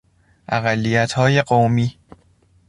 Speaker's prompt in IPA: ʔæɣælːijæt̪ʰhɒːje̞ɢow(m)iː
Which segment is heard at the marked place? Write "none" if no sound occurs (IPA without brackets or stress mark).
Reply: m